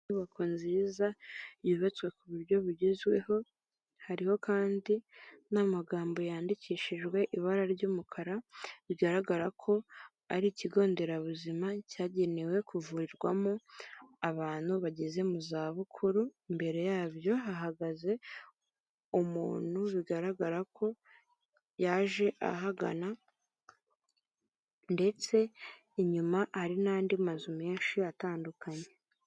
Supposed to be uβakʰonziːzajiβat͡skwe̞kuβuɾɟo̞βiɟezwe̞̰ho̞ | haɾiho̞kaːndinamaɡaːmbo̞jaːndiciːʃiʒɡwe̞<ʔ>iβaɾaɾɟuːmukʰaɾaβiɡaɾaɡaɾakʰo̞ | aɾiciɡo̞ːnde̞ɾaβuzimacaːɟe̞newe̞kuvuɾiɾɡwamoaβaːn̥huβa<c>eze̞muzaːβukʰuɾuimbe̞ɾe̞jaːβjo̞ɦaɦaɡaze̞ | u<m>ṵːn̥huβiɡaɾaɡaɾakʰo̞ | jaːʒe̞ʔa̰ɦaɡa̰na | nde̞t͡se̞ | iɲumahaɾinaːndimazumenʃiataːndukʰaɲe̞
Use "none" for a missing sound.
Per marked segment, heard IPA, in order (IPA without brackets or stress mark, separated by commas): ʔ, ɟ, m